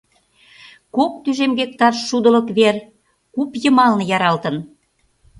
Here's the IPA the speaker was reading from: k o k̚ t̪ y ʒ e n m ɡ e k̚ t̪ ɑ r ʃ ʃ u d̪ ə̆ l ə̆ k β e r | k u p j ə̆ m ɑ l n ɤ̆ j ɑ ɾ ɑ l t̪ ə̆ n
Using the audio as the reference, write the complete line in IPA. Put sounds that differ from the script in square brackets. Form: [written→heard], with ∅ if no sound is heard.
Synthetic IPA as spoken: k o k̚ t̪ y ʒ e [n→∅] m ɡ e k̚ t̪ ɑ r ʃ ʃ u d̪ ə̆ l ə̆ k β e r | k u p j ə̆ m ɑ l n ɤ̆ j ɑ ɾ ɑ l t̪ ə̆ n